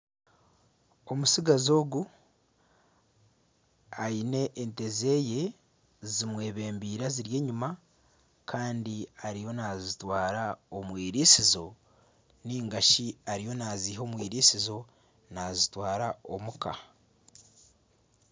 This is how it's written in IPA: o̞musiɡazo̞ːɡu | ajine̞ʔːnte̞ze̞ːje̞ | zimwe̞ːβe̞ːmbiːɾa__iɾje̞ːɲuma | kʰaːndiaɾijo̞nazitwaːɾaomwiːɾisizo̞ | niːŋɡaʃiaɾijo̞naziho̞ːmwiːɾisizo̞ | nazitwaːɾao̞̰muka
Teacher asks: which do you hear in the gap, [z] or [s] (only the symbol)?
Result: z